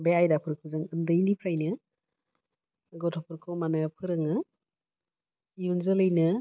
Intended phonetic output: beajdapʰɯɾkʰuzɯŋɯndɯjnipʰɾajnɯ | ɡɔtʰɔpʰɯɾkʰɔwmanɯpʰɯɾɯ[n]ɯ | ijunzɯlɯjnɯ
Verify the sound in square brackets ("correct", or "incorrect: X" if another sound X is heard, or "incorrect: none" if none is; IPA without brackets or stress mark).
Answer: incorrect: ŋ